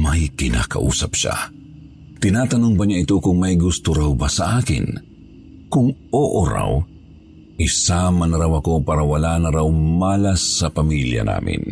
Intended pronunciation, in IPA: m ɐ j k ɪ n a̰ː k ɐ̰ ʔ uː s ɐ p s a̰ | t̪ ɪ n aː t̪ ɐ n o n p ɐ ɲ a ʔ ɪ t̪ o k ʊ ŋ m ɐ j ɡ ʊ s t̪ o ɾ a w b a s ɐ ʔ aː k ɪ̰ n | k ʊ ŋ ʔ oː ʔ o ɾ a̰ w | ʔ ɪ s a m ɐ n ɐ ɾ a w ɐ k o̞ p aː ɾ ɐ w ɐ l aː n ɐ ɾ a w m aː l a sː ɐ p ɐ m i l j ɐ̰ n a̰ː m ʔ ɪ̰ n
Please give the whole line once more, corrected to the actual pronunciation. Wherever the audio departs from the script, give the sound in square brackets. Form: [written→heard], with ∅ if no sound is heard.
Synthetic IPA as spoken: m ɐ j k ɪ n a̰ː k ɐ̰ ʔ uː s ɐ p [s→ʃ] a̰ | t̪ ɪ n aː t̪ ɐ n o [n→ŋ] p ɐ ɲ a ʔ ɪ t̪ o k ʊ ŋ m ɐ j ɡ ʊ s t̪ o ɾ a w b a s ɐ ʔ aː k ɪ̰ n | k ʊ ŋ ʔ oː ʔ o ɾ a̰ w | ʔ ɪ s a m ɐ n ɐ ɾ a w ɐ k o̞ p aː ɾ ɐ w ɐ l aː n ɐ ɾ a w m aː l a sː ɐ p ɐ m i l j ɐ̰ n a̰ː m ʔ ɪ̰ n